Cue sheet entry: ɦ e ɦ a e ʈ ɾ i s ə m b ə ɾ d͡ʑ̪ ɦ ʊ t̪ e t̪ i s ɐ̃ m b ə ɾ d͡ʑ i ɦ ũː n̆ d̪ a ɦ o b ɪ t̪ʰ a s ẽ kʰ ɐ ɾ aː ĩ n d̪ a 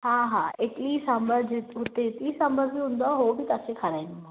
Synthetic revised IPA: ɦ a ɦ a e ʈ l i s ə m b ə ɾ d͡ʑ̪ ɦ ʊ t̪ e t̪ i s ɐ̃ m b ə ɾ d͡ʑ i ɦ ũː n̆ d̪ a ɦ o b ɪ t̪ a s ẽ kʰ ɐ ɾ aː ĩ n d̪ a